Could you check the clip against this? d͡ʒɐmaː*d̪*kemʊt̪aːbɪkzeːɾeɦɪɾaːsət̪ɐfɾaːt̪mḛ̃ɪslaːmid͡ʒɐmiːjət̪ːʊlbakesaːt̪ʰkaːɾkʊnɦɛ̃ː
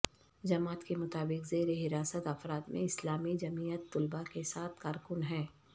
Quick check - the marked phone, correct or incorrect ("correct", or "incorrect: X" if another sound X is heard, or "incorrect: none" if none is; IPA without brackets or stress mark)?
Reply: incorrect: t̪